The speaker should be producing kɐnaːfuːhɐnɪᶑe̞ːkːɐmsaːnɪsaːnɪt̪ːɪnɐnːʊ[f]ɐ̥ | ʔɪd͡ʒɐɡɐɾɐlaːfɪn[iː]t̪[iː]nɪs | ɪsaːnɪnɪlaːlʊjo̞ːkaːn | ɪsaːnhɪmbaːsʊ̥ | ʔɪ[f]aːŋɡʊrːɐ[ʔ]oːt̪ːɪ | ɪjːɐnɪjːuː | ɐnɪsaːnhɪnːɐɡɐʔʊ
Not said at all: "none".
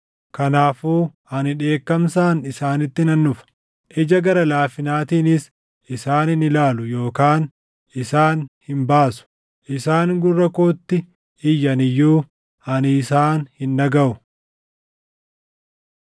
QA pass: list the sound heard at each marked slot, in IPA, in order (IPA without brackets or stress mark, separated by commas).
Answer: f, aː, iː, s, k